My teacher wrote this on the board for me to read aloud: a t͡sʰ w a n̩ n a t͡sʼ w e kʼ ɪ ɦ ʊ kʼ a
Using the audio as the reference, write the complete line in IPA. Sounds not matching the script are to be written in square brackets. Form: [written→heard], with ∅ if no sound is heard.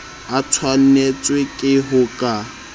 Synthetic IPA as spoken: a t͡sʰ w a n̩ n [a→e] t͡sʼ w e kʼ ɪ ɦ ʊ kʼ a